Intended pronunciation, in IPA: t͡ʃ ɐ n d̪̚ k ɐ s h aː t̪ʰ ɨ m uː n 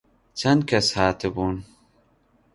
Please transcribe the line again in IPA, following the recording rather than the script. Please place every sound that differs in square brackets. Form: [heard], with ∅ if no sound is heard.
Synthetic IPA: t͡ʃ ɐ n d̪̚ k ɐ s h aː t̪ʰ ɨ [b] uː n